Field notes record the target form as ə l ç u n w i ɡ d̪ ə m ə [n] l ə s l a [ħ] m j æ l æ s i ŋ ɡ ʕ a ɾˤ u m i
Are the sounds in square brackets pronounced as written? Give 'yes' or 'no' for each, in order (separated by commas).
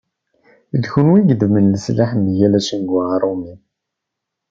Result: yes, yes